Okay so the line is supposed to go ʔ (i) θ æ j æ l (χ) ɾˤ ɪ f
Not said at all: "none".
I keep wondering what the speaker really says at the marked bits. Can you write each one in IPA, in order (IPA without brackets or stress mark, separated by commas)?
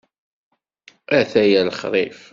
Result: æ, χ